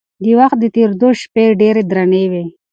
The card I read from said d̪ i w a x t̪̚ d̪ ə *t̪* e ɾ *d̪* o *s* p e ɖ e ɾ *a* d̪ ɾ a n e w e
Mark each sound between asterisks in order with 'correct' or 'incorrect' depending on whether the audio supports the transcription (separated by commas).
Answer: correct, correct, incorrect, incorrect